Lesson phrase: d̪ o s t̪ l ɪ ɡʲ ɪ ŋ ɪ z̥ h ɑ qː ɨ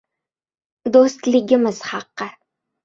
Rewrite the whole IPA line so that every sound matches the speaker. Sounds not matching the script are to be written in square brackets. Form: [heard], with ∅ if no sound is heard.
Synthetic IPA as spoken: d̪ o s t̪ l ɪ ɡʲ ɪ [m] ɪ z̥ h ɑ qː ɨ